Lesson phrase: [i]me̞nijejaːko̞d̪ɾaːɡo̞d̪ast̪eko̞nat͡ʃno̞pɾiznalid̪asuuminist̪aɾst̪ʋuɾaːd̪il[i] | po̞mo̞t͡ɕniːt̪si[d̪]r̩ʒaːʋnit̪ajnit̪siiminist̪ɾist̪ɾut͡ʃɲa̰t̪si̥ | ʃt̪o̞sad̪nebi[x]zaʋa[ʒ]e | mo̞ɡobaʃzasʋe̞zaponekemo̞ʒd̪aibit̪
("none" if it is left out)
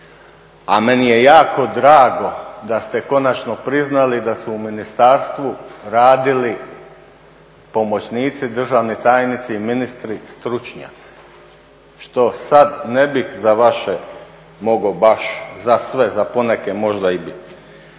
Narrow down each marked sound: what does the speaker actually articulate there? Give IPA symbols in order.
a, i, d̪, x, ʃ

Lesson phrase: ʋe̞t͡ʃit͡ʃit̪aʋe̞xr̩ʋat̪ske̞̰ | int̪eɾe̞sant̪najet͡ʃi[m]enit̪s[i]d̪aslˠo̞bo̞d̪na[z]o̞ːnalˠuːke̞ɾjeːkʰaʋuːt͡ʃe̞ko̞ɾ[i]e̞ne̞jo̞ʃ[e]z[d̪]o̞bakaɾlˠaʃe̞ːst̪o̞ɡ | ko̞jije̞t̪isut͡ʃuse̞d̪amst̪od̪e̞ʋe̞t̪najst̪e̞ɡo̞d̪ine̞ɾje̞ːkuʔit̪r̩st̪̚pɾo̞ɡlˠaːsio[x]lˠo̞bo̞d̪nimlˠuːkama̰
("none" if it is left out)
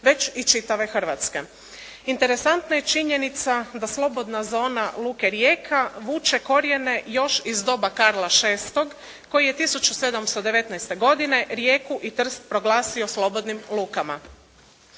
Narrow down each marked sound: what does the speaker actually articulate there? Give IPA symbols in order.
ɲ, a, z, j, i, d̪, s

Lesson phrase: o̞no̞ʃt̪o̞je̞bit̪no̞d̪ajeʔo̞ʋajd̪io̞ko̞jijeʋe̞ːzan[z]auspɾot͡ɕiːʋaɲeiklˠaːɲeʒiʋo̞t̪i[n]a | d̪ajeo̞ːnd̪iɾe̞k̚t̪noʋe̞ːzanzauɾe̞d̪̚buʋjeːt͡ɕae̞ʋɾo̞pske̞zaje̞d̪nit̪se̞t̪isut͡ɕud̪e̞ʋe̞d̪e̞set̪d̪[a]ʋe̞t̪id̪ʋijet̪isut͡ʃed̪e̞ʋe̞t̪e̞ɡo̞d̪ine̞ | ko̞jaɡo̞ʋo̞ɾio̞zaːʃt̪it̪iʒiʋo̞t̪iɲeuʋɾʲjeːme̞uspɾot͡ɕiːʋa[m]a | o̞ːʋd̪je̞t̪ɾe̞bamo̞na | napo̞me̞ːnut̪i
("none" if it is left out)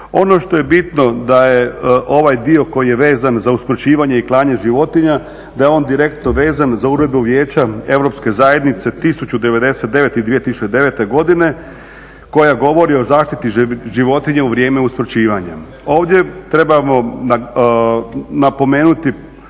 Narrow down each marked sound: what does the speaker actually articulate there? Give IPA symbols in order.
z, ɲ, e, ɲ

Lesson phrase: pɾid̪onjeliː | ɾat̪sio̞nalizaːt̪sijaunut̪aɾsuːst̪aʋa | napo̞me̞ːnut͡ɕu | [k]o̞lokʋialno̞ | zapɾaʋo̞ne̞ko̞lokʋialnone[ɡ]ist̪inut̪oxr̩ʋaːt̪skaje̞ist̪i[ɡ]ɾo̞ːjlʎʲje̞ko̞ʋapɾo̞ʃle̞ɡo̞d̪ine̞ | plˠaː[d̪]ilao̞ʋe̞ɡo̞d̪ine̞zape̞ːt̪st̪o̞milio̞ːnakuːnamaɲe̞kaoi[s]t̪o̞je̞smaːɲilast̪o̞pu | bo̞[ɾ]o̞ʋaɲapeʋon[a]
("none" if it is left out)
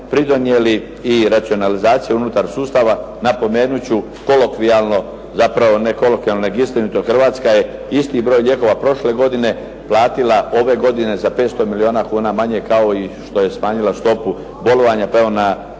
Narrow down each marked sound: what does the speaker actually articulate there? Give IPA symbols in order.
k, ɡ, b, t̪, ʃ, l, a

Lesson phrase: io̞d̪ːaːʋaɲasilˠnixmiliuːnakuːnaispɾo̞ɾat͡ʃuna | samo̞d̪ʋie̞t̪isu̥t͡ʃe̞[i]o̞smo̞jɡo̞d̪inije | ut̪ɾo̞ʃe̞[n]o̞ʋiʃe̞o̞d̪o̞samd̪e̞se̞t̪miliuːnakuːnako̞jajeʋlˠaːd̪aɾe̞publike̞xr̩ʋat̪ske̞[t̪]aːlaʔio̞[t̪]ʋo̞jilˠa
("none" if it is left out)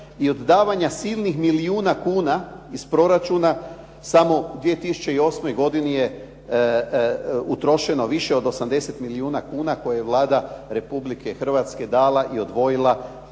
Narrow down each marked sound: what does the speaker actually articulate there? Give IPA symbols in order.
i, n, d̪, d̪

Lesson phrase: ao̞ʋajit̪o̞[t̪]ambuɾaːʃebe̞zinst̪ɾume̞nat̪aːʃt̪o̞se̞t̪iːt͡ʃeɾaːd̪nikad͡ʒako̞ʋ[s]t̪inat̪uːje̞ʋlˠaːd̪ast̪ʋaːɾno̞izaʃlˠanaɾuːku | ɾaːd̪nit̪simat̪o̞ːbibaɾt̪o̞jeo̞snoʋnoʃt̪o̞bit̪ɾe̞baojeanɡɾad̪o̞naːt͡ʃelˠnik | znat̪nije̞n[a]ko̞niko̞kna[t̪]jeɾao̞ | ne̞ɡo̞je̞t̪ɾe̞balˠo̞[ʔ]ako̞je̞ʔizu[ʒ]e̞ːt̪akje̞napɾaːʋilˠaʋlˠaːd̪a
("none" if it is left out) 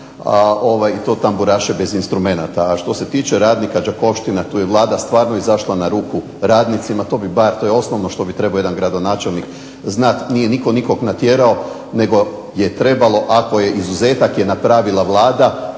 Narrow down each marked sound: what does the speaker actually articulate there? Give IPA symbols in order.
t̪, ʃ, i, t̪, ʔ, z

